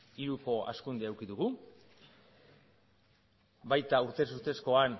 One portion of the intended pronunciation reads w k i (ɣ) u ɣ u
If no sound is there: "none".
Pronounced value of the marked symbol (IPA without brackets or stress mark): ð